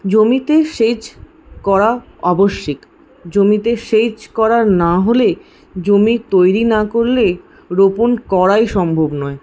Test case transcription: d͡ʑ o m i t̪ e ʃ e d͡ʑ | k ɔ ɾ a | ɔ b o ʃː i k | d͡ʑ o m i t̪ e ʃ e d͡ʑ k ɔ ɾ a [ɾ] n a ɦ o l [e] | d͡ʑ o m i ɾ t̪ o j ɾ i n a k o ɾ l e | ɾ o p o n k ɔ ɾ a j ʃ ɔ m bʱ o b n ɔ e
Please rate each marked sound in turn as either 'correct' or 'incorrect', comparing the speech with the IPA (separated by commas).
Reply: correct, correct